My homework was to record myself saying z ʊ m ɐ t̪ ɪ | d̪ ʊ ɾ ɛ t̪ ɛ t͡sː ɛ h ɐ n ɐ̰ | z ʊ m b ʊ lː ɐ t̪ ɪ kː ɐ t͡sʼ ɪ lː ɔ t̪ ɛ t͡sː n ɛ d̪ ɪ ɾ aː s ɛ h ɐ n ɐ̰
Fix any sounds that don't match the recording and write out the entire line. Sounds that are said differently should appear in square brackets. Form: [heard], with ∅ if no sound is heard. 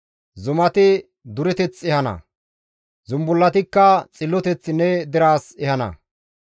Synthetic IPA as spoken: z ʊ m ɐ t̪ ɪ | d̪ ʊ ɾ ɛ t̪ ɛ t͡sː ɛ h ɐ n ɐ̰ | z ʊ m b ʊ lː ɐ t̪ ɪ kː ɐ t͡sʼ ɪ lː ɔ t̪ ɛ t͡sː n ɛ d̪ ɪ ɾ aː s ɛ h ɐ n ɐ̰

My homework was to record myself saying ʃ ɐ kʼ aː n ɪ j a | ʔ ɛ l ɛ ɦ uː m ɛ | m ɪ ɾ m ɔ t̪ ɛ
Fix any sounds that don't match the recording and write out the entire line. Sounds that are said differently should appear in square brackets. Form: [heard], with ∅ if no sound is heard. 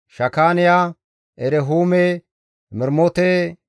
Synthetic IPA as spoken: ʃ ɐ [k] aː n ɪ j a | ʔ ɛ [ɾ] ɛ ɦ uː m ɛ | m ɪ ɾ m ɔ t̪ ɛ

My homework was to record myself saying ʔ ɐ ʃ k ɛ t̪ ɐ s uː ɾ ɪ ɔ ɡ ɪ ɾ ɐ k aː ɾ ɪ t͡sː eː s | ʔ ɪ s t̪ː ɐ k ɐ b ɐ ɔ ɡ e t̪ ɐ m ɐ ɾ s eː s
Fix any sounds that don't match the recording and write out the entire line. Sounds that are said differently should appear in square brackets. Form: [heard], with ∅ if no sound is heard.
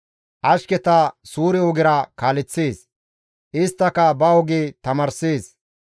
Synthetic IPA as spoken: ʔ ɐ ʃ k ɛ t̪ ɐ s uː ɾ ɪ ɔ ɡ ɪ ɾ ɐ k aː [l] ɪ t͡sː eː s | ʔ ɪ s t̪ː ɐ k ɐ b ɐ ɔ ɡ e t̪ ɐ m ɐ ɾ s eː s

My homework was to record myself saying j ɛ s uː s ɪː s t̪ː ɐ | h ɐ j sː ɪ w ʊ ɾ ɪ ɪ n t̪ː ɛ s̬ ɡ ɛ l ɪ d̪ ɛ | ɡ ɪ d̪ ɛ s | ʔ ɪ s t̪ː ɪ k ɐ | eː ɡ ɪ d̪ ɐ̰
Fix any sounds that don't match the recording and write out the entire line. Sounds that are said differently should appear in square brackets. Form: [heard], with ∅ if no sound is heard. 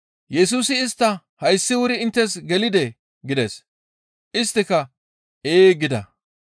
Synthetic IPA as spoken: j ɛ s uː s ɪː s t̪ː ɐ | h ɐ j sː ɪ w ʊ ɾ ɪ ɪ n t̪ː ɛ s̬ ɡ ɛ l ɪ d̪ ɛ | ɡ ɪ d̪ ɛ s | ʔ ɪ s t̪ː ɪ k ɐ | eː ɡ ɪ d̪ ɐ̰

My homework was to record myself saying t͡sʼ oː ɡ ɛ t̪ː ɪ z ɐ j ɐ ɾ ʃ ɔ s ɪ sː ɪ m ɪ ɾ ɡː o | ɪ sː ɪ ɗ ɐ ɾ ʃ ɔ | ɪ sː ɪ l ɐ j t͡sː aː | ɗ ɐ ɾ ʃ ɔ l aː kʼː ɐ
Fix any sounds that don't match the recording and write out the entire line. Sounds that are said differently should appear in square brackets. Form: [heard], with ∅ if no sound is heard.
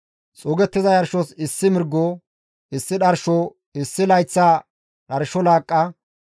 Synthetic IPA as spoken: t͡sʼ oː ɡ ɛ t̪ː ɪ z ɐ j ɐ ɾ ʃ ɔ s ɪ sː ɪ m ɪ ɾ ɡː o | ɪ sː ɪ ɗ ɐ ɾ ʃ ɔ | ɪ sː ɪ l ɐ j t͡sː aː | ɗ ɐ ɾ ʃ ɔ l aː kʼː ɐ

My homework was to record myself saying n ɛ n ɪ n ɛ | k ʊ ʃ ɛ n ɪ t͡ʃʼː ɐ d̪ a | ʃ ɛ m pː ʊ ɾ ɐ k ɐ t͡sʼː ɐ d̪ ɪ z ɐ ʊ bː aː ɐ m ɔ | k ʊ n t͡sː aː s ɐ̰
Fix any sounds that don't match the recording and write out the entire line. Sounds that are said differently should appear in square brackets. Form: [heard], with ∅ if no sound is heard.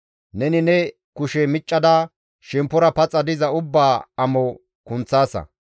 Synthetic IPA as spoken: n ɛ n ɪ n ɛ | k ʊ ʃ ɛ [m] ɪ t͡ʃʼː ɐ d̪ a | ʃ ɛ m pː ʊ ɾ ɐ [p] ɐ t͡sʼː ɐ d̪ ɪ z ɐ ʊ bː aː ɐ m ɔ | k ʊ n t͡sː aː s ɐ̰

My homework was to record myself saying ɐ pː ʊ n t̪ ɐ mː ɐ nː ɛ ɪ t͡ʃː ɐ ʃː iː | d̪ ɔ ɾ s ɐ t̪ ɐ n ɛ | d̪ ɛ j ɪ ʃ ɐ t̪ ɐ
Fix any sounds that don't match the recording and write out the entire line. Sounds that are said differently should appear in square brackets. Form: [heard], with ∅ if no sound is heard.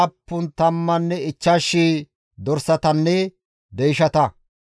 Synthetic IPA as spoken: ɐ pː ʊ n t̪ ɐ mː ɐ nː ɛ ɪ t͡ʃː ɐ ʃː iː | d̪ ɔ ɾ s ɐ t̪ ɐ [nː] ɛ | d̪ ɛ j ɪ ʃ ɐ t̪ ɐ

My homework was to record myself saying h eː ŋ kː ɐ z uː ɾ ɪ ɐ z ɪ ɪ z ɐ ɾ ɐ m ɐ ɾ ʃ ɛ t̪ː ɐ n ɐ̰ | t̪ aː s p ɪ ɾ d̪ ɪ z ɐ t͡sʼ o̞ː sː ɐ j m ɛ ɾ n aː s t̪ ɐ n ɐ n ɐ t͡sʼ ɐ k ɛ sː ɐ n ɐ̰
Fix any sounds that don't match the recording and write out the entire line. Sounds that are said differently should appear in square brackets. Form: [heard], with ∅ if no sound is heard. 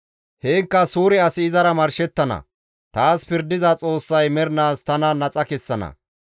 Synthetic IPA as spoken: h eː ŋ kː ɐ [s] uː ɾ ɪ ɐ [s] ɪ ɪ z ɐ ɾ ɐ m ɐ ɾ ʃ ɛ t̪ː ɐ n ɐ̰ | t̪ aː s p ɪ ɾ d̪ ɪ z ɐ t͡sʼ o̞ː sː ɐ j m ɛ ɾ n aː s t̪ ɐ n ɐ n ɐ t͡sʼ ɐ k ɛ sː ɐ n ɐ̰

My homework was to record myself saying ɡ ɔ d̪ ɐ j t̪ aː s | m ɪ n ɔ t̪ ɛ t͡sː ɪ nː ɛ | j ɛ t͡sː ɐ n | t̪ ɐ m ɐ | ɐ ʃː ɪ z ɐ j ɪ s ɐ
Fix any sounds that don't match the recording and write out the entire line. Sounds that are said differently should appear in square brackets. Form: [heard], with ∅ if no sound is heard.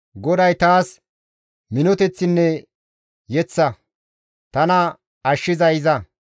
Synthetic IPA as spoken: ɡ ɔ d̪ ɐ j t̪ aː s | m ɪ n ɔ t̪ ɛ t͡sː ɪ nː ɛ | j ɛ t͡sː ɐ [∅] | t̪ ɐ [n] ɐ | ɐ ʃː ɪ z ɐ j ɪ [z] ɐ

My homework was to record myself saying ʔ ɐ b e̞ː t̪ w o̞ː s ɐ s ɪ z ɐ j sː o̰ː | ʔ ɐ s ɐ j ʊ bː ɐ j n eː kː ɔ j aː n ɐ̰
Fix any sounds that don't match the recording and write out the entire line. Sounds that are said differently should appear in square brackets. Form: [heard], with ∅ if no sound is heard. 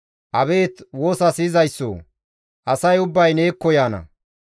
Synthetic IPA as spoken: ʔ ɐ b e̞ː t̪ w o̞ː s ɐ s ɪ z ɐ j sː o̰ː | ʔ ɐ s ɐ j ʊ bː ɐ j n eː kː ɔ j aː n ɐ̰

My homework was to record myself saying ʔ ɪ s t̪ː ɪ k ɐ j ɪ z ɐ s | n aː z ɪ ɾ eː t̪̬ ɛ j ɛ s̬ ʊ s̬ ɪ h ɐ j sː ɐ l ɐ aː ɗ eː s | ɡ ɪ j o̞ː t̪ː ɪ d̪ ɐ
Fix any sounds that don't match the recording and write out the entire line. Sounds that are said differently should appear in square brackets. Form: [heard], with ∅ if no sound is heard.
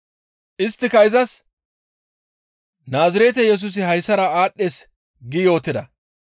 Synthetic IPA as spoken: ʔ ɪ s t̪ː ɪ k ɐ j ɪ z ɐ s | n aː z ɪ ɾ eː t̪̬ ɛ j ɛ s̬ ʊ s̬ ɪ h ɐ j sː ɐ [ɾ] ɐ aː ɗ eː s | ɡ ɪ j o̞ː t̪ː ɪ d̪ ɐ

